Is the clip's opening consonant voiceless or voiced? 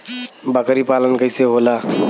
voiced